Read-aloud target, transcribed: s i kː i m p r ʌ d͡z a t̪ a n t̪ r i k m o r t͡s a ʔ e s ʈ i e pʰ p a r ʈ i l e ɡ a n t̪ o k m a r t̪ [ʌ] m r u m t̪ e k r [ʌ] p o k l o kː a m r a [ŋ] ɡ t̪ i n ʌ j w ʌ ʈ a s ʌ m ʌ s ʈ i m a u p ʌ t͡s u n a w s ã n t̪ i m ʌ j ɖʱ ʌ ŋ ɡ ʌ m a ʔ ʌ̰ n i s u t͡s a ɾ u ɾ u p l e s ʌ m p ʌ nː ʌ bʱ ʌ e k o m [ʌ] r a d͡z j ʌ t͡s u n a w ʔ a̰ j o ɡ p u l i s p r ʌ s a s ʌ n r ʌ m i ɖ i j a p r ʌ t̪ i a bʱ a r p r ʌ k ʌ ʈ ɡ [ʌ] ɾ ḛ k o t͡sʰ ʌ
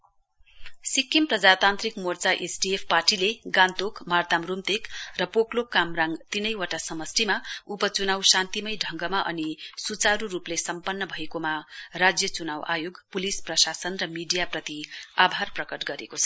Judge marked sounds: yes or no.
no, yes, yes, no, yes

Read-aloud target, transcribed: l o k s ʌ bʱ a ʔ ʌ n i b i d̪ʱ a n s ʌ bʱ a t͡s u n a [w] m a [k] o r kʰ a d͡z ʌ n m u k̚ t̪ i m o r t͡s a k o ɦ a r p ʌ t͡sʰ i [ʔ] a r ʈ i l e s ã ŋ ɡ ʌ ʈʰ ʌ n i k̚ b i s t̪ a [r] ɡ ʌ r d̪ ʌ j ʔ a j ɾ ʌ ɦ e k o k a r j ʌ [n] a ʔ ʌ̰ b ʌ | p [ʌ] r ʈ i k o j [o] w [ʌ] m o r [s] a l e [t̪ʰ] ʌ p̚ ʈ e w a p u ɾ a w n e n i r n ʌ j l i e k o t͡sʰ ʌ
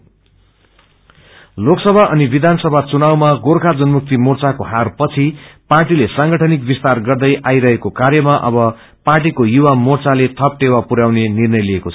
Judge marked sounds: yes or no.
yes, no, no, yes, no, no, no, no, no, yes

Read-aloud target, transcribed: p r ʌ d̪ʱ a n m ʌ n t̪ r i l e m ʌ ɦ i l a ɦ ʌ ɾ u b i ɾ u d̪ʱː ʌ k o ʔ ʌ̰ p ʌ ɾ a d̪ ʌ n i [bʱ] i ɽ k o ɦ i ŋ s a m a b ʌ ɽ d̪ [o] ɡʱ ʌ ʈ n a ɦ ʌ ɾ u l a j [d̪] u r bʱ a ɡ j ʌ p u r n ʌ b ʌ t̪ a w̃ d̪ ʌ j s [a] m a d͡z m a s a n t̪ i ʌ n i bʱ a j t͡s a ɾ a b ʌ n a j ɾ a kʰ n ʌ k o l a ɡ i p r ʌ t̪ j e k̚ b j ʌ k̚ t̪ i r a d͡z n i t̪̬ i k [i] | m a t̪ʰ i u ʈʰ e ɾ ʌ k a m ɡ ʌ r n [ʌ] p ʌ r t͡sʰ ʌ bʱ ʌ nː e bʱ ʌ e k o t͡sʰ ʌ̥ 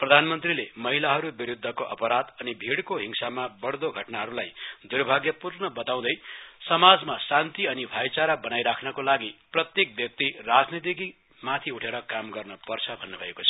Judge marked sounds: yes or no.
yes, yes, yes, no, yes, yes

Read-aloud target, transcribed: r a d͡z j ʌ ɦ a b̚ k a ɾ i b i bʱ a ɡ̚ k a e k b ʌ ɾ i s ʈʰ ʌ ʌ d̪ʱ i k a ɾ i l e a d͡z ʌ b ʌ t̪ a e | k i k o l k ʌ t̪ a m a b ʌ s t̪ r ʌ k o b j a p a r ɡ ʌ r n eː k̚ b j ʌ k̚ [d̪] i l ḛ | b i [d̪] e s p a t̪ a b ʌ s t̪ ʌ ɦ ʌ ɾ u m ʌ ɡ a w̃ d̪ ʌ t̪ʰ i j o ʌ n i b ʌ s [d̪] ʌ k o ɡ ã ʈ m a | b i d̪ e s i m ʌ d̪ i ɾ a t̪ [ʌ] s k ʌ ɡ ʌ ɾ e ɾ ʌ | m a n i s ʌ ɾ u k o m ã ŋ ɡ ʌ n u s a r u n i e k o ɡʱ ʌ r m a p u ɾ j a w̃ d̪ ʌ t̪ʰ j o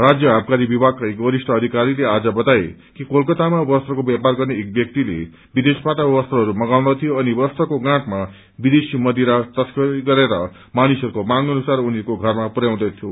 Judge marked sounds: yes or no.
no, yes, no, yes

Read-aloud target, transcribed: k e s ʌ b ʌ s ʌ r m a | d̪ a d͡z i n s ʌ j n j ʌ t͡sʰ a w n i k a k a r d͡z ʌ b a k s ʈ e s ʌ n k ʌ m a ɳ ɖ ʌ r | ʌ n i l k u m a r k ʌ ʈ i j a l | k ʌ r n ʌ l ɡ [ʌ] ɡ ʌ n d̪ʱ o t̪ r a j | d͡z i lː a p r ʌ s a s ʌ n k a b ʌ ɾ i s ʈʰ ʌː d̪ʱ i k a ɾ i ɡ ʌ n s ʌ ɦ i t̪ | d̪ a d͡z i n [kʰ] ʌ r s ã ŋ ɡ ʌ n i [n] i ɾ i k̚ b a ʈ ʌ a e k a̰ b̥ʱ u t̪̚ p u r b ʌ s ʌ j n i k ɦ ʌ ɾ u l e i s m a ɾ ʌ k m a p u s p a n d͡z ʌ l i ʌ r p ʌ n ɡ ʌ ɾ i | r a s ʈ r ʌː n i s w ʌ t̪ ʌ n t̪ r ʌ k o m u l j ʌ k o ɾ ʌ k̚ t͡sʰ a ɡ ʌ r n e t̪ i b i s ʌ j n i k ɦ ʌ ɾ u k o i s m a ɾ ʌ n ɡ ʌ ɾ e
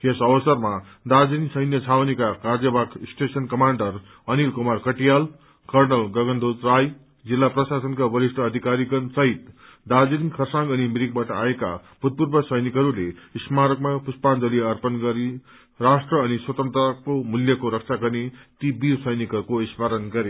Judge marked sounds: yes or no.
yes, yes, no

